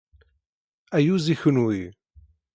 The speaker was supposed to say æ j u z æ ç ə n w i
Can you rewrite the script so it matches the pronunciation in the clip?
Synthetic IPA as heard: æ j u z i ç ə n w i